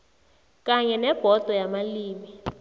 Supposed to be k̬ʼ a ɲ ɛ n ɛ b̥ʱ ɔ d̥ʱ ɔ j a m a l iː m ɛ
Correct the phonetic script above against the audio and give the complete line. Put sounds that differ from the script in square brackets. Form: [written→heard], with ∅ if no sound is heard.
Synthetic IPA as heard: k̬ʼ a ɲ ɛ n ɛ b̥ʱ ɔ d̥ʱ ɔ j a m a l iː m [ɛ→i]